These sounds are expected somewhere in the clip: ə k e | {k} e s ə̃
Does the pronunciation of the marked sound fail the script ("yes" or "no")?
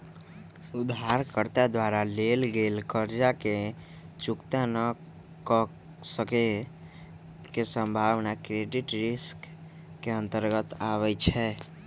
no